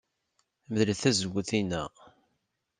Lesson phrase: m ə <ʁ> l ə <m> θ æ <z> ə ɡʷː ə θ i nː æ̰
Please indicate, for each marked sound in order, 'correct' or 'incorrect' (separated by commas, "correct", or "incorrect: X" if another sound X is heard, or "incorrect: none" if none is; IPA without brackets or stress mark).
incorrect: ð, incorrect: none, correct